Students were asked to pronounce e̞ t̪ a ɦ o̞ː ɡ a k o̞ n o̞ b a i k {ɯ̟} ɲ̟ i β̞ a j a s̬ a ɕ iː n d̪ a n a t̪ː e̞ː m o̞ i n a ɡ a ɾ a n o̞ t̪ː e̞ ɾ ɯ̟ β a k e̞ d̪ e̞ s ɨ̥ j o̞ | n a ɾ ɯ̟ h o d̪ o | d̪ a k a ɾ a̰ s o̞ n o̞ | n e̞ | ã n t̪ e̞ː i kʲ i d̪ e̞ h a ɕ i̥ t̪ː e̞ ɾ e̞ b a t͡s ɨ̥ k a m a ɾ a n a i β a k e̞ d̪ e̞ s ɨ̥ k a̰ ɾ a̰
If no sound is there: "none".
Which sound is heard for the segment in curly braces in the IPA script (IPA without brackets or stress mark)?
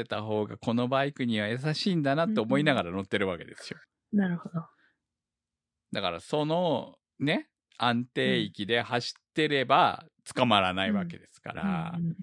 ɯ̟